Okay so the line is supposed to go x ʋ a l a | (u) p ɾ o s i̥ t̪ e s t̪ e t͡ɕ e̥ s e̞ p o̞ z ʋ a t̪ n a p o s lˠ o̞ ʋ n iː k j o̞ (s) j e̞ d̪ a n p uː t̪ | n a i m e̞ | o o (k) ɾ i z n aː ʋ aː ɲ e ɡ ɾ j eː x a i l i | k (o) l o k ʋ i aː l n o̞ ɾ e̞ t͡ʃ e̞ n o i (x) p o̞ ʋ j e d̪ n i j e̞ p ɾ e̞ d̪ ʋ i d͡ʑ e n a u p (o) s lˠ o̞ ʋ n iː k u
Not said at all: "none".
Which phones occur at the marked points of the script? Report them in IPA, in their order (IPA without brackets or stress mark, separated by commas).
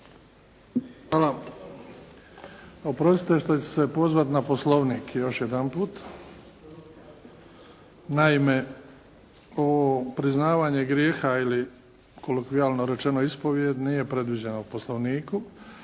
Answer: o, ʃ, p, o, s, o